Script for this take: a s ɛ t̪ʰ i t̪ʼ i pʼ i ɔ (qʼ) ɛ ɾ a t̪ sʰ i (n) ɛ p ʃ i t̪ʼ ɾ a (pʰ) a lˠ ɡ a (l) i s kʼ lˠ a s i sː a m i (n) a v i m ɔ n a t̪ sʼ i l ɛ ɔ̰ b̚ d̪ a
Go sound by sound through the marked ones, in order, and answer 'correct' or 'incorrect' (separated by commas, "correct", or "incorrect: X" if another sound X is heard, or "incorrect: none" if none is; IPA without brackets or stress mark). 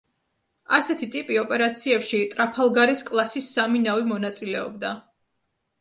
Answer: incorrect: pʼ, incorrect: none, correct, incorrect: ɾ, correct